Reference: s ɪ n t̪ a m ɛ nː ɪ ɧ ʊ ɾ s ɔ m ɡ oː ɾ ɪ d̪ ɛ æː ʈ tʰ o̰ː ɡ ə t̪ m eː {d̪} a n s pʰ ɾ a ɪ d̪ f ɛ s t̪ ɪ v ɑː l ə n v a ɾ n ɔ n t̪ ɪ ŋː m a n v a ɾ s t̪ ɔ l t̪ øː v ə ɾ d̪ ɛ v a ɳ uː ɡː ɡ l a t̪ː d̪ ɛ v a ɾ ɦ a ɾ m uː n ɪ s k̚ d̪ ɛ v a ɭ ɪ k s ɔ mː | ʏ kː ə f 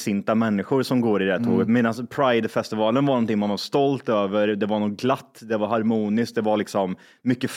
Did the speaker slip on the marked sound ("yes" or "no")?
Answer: no